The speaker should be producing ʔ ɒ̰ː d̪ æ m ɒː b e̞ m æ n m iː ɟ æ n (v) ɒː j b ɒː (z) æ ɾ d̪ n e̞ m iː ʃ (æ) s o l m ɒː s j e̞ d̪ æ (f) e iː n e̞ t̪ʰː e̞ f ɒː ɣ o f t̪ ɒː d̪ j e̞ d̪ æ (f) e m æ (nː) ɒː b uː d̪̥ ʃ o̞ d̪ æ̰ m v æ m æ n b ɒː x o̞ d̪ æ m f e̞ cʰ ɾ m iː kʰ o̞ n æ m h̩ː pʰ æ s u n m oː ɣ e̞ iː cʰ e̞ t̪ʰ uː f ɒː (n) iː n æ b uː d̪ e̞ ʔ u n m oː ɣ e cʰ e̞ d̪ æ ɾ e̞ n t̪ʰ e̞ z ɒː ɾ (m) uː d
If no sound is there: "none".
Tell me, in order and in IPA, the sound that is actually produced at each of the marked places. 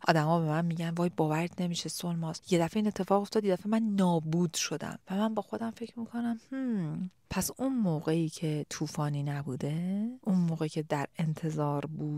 v, v, e, f, f, nː, n, b

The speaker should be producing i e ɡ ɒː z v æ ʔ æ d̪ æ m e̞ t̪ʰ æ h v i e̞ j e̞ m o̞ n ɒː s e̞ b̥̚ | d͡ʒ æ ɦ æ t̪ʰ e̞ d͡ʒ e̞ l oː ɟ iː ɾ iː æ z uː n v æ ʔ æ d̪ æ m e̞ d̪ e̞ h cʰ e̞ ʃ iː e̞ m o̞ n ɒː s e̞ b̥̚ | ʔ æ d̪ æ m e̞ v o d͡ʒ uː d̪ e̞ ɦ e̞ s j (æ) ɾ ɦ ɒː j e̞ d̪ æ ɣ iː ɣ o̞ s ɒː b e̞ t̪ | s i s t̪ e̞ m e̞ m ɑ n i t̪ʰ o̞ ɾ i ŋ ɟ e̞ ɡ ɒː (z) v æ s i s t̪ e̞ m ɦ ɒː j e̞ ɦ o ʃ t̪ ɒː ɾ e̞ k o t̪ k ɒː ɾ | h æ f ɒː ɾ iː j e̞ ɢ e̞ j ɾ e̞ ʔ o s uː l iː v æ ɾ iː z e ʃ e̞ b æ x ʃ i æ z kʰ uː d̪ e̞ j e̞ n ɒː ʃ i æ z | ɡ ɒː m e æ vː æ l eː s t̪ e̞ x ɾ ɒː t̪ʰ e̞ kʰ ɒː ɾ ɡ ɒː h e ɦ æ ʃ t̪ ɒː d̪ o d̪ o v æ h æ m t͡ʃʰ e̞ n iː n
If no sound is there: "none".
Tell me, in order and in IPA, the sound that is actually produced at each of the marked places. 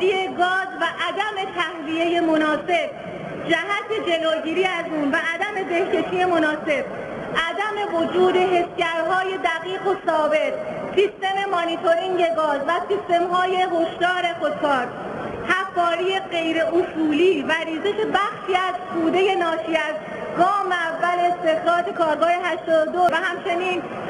æ, z

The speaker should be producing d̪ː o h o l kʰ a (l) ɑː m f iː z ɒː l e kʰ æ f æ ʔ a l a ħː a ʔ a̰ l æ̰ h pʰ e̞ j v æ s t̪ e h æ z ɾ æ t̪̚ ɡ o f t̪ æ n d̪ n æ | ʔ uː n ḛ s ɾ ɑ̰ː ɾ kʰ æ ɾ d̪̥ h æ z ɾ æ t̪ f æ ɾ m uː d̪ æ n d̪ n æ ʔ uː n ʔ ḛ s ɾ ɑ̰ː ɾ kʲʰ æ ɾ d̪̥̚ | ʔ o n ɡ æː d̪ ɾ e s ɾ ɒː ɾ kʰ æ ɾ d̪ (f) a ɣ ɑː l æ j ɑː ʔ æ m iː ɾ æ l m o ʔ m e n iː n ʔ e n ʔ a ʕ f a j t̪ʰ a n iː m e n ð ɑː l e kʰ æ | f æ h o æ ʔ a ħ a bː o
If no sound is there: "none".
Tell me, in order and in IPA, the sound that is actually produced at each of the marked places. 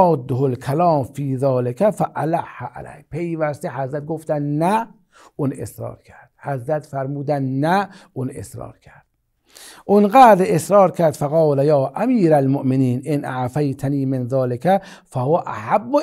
l, f

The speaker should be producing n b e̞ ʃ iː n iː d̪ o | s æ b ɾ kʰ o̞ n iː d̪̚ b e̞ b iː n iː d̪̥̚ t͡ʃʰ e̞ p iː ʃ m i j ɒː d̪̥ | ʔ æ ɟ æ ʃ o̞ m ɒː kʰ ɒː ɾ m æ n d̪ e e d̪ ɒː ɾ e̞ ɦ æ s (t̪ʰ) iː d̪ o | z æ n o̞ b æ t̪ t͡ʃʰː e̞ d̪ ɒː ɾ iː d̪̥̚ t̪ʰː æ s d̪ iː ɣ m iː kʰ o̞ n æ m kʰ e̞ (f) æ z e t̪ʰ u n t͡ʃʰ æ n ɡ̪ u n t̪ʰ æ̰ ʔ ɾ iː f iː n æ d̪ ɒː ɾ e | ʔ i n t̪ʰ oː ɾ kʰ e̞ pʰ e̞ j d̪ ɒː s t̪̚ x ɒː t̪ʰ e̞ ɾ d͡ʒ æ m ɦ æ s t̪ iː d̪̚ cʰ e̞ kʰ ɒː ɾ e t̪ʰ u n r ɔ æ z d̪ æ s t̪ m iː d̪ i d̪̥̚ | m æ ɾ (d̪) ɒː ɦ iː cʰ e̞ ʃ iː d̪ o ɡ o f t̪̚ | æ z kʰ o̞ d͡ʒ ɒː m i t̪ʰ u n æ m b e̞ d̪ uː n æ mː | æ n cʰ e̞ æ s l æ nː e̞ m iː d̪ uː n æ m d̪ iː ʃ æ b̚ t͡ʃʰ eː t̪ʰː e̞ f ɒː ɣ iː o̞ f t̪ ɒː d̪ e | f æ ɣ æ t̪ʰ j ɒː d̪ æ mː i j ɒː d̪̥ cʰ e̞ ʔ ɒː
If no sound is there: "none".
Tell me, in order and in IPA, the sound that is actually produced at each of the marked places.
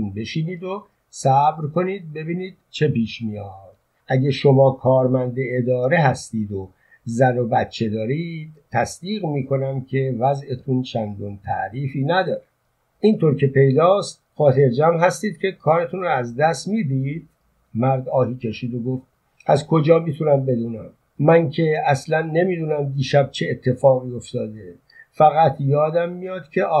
t̪, v, d̪

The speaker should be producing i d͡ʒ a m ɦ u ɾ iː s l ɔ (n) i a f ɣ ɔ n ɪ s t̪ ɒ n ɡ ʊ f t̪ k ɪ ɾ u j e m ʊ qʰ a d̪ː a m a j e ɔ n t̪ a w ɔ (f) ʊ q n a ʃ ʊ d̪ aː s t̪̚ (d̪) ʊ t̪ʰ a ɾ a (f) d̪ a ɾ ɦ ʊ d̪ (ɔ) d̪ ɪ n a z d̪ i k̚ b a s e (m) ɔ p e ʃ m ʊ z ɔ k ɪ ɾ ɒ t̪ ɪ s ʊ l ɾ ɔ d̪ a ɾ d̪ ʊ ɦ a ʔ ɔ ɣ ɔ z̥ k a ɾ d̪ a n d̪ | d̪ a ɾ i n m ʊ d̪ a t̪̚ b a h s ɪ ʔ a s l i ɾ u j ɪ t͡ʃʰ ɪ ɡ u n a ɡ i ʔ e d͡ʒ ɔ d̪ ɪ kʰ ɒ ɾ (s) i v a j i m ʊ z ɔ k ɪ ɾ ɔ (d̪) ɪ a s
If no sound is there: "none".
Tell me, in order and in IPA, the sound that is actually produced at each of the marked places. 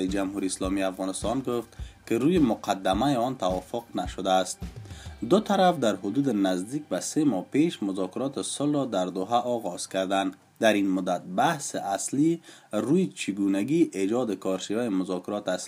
m, f, d̪, f, u, m, ʃ, t̪

